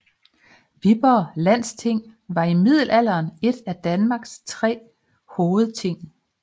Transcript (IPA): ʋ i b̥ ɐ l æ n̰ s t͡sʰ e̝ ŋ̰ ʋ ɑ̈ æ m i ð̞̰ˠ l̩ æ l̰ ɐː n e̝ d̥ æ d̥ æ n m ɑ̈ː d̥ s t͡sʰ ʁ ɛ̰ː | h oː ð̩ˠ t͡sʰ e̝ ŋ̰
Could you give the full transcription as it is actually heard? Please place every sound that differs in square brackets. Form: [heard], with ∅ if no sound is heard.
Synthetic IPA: ʋ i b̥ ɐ l æ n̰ s t͡sʰ e̝ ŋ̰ ʋ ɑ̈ [i] m i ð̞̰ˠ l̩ æ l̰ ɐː n e̝ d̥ æ d̥ æ n m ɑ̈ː [ɡ̥] s t͡sʰ ʁ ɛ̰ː | h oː ð̩ˠ t͡sʰ e̝ ŋ̰